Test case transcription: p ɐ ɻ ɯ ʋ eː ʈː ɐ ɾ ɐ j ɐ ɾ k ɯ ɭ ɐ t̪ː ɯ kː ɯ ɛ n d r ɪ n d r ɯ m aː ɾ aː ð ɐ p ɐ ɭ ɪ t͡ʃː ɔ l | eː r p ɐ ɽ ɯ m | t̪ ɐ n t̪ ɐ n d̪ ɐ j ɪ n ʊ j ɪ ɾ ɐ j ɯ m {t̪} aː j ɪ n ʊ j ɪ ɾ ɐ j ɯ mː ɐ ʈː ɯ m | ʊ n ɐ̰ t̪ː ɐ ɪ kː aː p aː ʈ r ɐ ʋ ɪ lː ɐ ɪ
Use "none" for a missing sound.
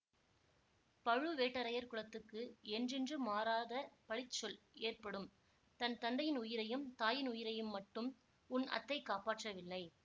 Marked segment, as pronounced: t̪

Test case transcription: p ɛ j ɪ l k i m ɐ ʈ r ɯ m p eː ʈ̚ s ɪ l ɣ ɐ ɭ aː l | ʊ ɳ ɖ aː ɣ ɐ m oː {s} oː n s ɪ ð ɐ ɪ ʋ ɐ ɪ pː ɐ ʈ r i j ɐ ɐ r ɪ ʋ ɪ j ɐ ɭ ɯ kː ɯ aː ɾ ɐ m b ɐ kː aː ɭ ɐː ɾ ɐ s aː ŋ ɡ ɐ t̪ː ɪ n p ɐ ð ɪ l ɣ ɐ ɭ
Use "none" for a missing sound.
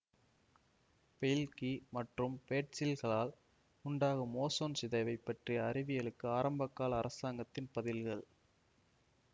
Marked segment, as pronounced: s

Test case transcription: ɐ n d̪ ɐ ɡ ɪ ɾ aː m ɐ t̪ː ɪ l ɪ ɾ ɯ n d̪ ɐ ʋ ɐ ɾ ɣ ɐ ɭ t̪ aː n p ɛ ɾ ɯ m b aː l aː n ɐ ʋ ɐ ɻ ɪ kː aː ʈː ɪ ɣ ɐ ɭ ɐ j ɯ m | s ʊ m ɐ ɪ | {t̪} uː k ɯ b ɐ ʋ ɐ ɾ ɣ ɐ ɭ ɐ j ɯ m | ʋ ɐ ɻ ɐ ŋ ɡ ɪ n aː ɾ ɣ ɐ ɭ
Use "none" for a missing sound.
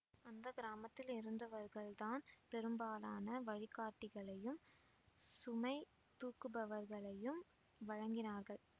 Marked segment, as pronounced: t̪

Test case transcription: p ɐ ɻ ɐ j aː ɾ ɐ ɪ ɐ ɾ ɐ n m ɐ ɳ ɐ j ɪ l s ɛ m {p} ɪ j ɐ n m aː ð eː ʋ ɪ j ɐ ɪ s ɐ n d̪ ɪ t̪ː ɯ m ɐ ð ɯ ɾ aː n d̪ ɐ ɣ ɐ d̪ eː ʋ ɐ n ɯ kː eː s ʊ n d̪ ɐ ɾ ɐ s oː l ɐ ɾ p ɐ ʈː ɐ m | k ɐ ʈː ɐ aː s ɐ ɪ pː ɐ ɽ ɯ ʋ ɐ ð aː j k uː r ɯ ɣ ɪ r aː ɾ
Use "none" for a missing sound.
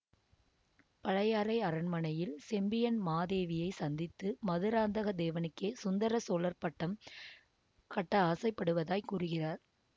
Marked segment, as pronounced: b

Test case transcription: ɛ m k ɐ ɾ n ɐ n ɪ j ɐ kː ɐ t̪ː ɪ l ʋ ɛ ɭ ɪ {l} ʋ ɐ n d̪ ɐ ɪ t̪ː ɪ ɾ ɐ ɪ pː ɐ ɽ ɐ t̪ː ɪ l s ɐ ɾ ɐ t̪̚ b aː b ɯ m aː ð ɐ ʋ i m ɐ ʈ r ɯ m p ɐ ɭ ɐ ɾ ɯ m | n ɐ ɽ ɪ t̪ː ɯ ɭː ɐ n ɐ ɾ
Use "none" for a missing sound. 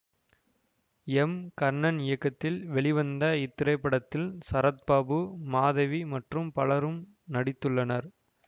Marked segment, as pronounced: none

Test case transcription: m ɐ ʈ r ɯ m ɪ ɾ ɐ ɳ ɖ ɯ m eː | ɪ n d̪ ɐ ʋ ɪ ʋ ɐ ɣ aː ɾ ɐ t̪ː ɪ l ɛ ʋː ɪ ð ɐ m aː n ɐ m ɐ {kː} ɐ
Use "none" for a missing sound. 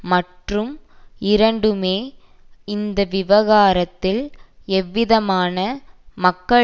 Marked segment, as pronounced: kː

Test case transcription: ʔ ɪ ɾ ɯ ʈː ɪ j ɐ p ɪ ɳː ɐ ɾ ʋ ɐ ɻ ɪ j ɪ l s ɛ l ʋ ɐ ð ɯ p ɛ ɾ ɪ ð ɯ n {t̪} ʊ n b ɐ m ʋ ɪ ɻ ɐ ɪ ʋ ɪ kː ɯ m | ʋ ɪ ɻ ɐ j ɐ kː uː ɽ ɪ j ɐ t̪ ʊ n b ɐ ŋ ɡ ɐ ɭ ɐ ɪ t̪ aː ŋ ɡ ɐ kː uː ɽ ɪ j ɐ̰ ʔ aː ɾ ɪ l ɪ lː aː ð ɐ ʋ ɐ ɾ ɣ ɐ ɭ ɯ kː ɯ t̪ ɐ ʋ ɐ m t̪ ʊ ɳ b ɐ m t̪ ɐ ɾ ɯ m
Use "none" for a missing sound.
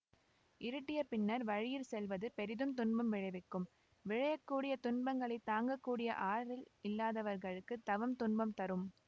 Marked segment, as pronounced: t̪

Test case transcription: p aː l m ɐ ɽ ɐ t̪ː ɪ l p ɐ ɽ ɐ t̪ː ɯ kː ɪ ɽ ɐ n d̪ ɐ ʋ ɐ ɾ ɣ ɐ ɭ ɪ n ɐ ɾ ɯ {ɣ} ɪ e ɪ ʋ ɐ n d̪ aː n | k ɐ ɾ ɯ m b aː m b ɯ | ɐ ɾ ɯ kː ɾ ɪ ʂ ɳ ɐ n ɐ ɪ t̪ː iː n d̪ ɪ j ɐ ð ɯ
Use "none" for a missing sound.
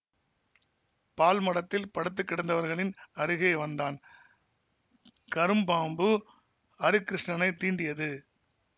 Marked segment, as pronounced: ɣ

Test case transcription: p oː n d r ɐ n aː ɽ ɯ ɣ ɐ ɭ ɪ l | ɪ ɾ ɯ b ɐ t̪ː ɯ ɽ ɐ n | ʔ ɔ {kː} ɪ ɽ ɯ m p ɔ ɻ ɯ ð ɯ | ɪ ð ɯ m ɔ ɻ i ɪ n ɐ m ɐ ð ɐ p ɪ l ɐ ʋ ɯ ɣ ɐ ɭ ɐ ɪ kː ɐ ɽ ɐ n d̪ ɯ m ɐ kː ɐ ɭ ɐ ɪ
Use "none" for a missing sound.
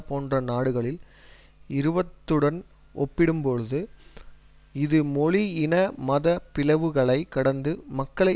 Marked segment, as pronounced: pː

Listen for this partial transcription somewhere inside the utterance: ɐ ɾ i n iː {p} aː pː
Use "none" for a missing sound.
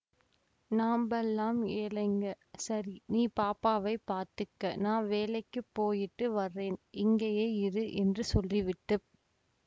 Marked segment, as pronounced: p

